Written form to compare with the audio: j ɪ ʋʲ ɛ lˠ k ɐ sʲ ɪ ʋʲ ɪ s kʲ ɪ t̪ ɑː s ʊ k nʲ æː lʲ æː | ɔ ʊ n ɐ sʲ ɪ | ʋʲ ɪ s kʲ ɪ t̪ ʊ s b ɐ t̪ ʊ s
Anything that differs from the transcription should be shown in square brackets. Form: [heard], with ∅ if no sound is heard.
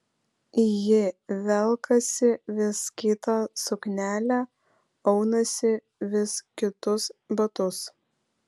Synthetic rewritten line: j ɪ ʋʲ ɛ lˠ k ɐ sʲ ɪ ʋʲ ɪ s kʲ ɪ t̪ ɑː s ʊ k nʲ æː lʲ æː | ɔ ʊ n ɐ sʲ ɪ | ʋʲ ɪ s kʲ ɪ t̪ ʊ s b ɐ t̪ ʊ s